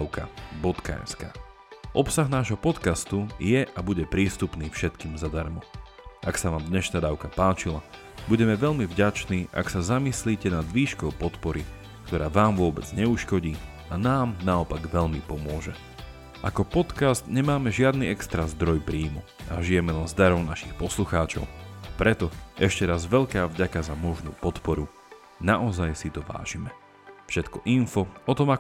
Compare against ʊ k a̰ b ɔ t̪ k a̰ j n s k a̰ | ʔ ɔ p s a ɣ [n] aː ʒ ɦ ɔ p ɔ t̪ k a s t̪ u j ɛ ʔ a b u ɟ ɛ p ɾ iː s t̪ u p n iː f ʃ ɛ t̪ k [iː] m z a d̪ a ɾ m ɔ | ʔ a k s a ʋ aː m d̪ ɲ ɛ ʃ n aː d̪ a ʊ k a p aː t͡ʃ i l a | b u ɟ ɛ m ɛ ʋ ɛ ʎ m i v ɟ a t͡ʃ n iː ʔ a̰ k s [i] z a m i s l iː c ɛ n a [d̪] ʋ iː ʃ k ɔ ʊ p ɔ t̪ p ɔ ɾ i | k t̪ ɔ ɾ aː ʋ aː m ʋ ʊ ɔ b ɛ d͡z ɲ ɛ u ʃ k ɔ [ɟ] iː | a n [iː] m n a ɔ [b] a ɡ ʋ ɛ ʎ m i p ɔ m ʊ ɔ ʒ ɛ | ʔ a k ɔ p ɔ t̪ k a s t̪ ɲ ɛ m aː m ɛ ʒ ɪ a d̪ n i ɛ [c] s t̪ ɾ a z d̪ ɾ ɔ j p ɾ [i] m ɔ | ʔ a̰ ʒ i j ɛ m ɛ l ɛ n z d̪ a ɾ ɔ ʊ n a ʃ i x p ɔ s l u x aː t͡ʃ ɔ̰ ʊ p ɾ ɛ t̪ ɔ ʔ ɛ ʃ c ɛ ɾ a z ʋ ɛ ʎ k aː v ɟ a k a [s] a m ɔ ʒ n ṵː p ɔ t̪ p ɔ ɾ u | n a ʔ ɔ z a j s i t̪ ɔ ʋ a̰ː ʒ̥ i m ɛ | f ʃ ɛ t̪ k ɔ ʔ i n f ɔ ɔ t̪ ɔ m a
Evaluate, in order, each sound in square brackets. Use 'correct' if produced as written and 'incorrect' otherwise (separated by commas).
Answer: correct, correct, incorrect, correct, correct, incorrect, incorrect, incorrect, incorrect, incorrect